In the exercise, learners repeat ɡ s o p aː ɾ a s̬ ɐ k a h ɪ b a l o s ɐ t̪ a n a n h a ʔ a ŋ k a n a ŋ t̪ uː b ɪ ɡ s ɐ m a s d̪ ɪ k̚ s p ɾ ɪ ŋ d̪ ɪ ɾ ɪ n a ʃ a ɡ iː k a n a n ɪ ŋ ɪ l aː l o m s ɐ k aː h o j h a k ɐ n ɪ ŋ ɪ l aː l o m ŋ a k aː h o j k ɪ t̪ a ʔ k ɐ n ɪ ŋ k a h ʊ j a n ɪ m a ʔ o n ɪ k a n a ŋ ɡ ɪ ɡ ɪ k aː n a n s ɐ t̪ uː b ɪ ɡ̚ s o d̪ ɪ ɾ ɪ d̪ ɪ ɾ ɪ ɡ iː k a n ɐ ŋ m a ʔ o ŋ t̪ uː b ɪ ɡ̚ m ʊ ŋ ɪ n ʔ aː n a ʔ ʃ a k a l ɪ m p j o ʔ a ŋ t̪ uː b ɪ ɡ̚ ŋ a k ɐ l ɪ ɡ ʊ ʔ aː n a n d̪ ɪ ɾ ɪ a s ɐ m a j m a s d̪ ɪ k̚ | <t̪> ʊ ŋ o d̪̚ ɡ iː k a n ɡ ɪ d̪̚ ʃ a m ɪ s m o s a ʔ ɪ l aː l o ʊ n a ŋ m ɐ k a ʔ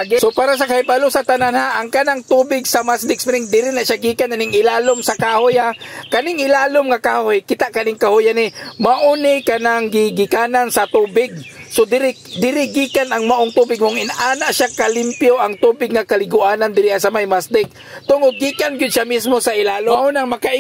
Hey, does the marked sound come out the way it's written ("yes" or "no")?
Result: yes